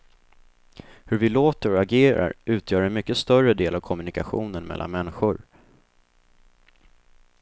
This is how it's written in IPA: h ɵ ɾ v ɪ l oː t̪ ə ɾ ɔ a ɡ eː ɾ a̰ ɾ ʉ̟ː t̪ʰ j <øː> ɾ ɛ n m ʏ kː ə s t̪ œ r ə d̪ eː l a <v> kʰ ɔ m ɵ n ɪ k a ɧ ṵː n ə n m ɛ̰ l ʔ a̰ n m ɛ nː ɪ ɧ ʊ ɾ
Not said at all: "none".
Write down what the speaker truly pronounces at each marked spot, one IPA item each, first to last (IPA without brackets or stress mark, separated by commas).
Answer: œː, v